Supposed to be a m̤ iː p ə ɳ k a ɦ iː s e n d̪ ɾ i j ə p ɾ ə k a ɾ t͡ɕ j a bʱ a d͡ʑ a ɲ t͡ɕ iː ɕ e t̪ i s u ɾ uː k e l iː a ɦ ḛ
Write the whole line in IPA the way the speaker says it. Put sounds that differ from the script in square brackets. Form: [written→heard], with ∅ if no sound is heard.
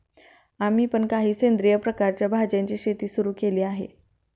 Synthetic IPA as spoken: a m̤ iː p ə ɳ k a ɦ iː s e n d̪ ɾ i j ə p ɾ ə k a ɾ t͡ɕ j a bʱ a d͡ʑ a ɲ t͡ɕ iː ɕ e t̪ [i→iː] s u ɾ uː k e l iː a ɦ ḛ